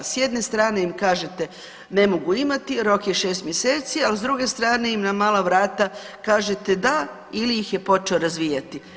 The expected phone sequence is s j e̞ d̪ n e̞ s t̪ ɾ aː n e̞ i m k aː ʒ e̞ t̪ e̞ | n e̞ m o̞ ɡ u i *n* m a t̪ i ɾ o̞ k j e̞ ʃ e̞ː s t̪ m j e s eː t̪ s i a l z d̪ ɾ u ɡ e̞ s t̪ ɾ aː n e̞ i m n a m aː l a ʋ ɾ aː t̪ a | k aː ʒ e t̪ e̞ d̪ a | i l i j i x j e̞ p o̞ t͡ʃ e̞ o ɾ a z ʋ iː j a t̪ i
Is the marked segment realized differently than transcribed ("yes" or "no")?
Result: yes